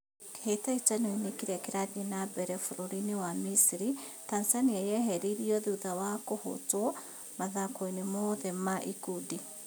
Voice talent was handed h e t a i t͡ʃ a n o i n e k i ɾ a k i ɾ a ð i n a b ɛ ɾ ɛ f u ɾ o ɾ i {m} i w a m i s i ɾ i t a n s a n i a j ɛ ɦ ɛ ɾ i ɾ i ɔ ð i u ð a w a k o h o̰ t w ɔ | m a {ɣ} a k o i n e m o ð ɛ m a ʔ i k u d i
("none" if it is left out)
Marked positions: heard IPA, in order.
n, ð

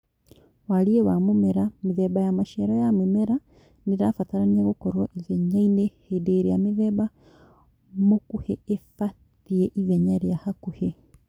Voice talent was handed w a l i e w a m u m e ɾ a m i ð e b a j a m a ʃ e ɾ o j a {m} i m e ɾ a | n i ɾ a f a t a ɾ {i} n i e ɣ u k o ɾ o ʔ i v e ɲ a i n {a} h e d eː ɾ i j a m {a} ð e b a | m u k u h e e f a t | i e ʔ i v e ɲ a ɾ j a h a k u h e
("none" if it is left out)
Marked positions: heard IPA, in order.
m, a, e, i

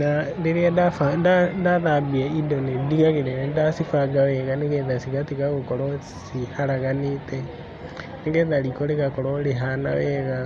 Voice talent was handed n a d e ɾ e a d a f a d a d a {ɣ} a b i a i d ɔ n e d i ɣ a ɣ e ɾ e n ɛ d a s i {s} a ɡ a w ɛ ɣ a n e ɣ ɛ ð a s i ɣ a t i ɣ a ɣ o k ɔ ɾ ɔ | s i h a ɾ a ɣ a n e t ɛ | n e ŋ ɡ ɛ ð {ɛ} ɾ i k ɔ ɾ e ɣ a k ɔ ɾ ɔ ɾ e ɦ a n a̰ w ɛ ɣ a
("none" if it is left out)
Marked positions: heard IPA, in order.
ð, f, a

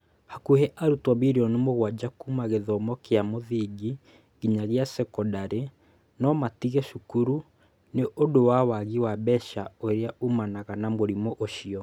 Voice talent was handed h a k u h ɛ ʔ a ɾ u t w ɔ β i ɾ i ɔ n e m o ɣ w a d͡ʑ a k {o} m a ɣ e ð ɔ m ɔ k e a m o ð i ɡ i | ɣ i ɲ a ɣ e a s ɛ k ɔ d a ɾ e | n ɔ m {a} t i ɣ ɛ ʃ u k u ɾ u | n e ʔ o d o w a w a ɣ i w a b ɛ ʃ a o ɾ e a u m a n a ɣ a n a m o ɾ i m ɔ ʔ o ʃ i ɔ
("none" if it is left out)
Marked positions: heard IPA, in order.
u, a

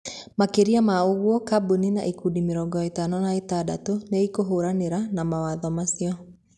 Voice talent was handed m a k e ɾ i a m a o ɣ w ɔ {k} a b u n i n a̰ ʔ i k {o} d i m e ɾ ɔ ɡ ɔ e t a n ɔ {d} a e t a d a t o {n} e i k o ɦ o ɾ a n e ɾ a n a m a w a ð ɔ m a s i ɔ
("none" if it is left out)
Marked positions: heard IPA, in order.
k, u, n, n

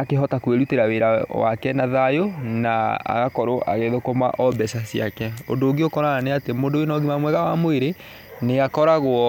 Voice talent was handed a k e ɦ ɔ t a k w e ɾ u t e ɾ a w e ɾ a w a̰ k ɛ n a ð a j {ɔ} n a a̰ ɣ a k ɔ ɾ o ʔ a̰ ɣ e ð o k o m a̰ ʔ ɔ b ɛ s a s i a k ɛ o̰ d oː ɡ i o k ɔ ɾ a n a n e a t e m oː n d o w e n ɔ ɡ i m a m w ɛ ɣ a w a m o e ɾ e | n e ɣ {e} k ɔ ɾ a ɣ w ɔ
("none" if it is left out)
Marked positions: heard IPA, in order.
o, a

